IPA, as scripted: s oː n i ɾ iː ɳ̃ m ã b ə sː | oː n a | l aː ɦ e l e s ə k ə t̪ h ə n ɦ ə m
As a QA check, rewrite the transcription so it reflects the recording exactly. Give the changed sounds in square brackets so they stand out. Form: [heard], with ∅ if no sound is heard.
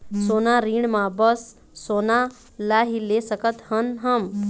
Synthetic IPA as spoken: s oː n [a] ɾ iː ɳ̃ m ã b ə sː | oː n a | l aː ɦ [i] l e s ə k ə t̪ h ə n ɦ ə m